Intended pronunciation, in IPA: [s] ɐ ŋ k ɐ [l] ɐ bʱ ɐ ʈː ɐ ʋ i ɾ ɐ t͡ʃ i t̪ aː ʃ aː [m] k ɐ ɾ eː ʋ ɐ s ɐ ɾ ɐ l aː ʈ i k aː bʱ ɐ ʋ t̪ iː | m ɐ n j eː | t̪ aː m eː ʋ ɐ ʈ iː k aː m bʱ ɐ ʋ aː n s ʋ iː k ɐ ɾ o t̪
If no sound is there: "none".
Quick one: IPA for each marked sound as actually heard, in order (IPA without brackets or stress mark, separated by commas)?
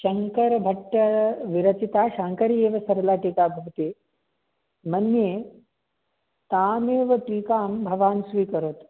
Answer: ʃ, ɾ, ŋ